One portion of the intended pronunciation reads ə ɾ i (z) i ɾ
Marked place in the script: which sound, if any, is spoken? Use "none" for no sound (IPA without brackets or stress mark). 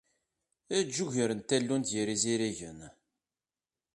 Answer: z